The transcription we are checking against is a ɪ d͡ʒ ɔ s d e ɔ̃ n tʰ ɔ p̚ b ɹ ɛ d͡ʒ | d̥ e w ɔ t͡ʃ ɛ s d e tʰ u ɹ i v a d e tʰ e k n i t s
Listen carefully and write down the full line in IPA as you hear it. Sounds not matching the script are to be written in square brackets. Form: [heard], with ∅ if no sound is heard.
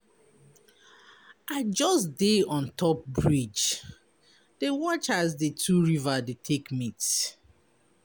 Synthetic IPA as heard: a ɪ d͡ʒ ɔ s d e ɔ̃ n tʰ ɔ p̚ b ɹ [i] d͡ʒ | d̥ e w ɔ t͡ʃ [a] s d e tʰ u ɹ i v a d e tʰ e k [m] i t s